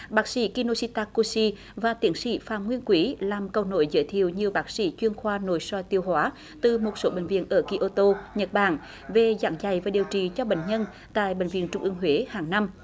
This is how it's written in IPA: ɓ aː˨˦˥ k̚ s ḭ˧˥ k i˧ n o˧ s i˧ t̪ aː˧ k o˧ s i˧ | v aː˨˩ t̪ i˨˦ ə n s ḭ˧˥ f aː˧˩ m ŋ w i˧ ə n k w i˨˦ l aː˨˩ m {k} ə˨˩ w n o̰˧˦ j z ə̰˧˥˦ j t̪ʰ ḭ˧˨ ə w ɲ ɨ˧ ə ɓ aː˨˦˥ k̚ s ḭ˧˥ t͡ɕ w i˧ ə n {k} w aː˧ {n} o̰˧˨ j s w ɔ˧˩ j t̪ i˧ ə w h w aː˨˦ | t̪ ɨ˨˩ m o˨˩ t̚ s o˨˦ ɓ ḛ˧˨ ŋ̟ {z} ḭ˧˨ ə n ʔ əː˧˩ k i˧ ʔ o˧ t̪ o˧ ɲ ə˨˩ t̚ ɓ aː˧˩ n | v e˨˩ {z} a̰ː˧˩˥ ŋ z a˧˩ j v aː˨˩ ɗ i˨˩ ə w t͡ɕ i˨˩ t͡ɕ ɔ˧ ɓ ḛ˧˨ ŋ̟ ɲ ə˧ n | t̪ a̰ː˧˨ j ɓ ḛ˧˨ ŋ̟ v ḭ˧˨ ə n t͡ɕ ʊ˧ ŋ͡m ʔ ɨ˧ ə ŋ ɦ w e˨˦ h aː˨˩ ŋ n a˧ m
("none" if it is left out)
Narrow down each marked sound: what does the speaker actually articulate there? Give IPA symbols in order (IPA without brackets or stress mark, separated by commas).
k, x, n, v, z